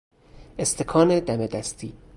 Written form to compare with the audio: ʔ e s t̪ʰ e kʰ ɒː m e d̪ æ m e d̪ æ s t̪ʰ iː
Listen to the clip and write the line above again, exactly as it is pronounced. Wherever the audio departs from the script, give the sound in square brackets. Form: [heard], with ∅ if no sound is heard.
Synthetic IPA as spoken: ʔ e s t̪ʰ e kʰ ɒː [n] e d̪ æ m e d̪ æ s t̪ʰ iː